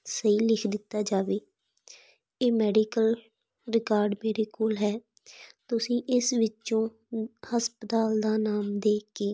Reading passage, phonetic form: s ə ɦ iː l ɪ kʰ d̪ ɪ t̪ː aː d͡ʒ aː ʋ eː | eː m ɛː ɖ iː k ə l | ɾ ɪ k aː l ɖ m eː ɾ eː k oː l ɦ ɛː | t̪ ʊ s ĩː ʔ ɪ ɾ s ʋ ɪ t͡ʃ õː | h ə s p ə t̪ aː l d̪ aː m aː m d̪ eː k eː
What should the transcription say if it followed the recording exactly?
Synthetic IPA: s ə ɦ iː l ɪ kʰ d̪ ɪ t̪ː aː d͡ʒ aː ʋ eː | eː m ɛː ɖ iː k ə l | ɾ ɪ k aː ɾ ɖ m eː ɾ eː k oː l ɦ ɛː | t̪ ʊ s ĩː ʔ ɪ s ʋ ɪ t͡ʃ õː | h ə s p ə t̪ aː l d̪ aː n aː m d̪ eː k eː